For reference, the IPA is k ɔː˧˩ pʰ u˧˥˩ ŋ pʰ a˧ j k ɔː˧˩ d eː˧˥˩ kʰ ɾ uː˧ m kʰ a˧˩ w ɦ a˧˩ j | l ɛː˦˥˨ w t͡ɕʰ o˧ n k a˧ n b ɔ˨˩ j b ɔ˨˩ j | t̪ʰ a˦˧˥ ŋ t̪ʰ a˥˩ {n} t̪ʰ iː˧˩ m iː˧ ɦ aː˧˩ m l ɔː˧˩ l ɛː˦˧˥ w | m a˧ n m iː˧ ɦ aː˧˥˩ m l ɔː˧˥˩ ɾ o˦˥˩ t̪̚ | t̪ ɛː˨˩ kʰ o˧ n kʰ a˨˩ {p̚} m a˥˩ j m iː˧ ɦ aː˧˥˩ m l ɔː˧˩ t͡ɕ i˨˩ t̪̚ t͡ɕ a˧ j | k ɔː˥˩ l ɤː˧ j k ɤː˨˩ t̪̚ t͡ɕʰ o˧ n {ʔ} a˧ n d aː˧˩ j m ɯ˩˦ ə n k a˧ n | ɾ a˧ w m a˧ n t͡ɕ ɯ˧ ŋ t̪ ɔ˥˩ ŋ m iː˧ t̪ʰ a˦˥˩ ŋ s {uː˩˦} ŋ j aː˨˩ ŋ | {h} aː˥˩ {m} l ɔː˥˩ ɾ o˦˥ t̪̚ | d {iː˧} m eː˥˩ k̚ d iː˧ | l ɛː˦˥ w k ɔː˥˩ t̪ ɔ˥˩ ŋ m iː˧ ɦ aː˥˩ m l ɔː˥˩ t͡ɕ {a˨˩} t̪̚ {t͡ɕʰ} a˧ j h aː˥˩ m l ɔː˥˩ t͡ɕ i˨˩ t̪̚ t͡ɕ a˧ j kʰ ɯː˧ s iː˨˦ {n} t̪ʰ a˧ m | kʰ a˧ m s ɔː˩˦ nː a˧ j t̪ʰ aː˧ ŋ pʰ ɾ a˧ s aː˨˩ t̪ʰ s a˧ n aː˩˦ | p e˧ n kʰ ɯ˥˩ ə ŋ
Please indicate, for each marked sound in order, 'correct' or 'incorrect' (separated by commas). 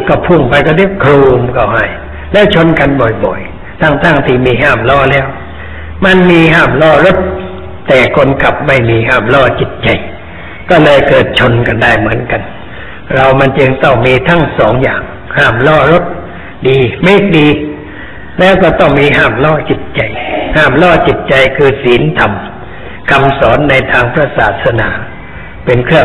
incorrect, correct, incorrect, incorrect, correct, correct, correct, incorrect, incorrect, correct